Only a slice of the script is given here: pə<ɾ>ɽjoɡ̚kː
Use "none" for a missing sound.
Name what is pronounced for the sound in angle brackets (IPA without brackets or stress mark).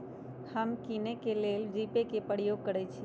none